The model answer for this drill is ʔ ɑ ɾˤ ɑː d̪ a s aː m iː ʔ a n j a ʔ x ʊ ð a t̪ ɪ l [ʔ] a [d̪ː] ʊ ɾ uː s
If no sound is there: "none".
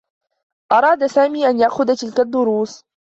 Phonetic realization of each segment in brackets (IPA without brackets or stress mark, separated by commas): k, d̪ː